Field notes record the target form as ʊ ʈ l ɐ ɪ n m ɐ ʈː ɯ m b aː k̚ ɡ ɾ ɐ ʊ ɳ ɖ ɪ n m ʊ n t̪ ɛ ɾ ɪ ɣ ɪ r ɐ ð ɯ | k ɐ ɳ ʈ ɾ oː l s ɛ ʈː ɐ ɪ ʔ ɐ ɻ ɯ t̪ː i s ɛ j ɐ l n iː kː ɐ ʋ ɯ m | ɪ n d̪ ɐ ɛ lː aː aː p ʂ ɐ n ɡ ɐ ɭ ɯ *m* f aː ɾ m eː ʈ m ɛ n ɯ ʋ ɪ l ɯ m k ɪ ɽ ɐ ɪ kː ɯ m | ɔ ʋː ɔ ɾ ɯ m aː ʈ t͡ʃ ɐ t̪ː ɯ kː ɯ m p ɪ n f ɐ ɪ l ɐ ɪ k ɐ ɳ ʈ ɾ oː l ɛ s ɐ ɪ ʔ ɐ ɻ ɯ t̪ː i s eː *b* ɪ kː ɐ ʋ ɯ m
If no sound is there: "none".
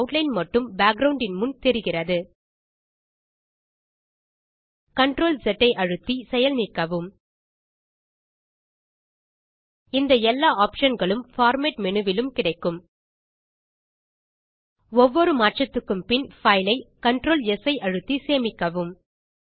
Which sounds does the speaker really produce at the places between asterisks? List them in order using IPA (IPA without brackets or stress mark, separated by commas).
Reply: m, m